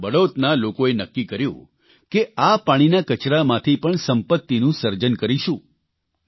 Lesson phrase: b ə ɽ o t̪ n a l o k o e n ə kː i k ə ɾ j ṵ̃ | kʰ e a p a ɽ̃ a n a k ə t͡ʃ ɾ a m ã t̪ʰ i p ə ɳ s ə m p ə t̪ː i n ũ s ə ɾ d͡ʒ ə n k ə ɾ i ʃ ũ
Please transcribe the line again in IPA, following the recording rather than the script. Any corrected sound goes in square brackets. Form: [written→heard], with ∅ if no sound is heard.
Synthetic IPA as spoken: b ə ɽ o t̪ n a l o k o e n ə kː i k ə ɾ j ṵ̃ | [kʰ→k] e a p a ɽ̃ [a→i] n a k ə t͡ʃ ɾ a m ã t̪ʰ i p ə ɳ s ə m p ə t̪ː i n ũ s ə ɾ d͡ʒ ə n k ə ɾ i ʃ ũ

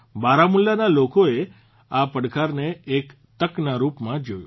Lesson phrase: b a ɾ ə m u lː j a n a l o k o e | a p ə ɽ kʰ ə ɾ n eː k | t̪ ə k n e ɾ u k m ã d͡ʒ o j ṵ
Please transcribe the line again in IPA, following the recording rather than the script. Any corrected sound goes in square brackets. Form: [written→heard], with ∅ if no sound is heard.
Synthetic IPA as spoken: b a ɾ [ə→a] m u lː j a n a l o k o e | a p ə ɽ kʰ [ə→a] ɾ n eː k | t̪ ə k n [e→a] ɾ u [k→p] m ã d͡ʒ o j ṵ

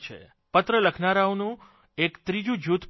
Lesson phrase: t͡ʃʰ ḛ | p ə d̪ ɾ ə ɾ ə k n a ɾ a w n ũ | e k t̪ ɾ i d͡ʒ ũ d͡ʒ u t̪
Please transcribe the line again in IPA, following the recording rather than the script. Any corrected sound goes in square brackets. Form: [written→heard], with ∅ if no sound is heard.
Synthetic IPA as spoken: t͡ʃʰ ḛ | p ə [d̪→t̪] ɾ ə [ɾ→l] ə [k→kʰ] n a ɾ a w n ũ | e k t̪ ɾ i d͡ʒ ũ d͡ʒ u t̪

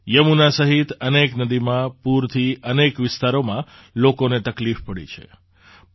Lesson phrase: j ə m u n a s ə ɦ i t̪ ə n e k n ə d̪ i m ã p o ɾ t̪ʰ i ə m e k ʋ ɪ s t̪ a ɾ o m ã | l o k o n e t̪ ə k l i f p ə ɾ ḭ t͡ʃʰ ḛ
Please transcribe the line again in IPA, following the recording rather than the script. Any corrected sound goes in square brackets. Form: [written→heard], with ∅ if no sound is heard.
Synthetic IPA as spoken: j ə m u n a s ə ɦ i t̪ ə n e k n ə d̪ i m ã p [o→u] ɾ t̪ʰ i ə [m→n] e k ʋ ɪ s t̪ a ɾ o m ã | l o k o n e t̪ ə k l i f p ə [ɾ→ɽ] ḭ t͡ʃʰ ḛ

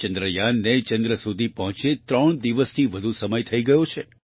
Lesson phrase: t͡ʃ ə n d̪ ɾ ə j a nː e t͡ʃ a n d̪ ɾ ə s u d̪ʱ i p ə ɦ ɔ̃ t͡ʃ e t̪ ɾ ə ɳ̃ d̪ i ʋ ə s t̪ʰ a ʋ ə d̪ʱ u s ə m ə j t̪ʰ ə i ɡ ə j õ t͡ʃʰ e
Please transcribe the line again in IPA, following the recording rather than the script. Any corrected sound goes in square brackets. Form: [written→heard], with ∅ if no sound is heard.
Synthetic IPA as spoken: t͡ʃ ə n d̪ ɾ ə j a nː e t͡ʃ [a→ə] n d̪ ɾ ə s u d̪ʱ i p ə ɦ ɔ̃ t͡ʃ e t̪ ɾ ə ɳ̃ d̪ i ʋ ə s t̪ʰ [a→i] ʋ ə d̪ʱ u s ə m ə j t̪ʰ ə i ɡ ə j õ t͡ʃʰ e

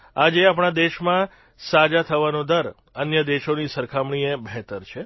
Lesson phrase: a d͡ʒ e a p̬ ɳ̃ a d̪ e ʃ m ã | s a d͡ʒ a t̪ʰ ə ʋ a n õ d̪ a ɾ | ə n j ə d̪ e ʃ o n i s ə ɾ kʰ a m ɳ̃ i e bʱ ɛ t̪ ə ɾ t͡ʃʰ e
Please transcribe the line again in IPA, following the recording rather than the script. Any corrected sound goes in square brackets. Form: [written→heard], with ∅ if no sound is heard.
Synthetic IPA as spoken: a d͡ʒ e a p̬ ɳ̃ a d̪ e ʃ m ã | s a d͡ʒ a t̪ʰ ə ʋ a n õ d̪ [a→ə] ɾ | ə n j ə d̪ e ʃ o n i s ə ɾ kʰ a m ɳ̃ i e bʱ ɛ t̪ ə ɾ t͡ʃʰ e

